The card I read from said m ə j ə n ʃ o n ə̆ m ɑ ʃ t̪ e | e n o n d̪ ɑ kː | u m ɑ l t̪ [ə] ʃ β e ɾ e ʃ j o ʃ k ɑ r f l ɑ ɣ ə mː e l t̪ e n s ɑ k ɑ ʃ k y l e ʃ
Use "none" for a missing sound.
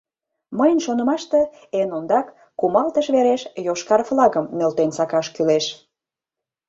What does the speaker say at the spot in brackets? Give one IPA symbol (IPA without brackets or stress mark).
ə